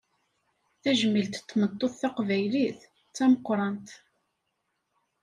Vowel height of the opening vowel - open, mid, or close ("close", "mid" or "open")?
open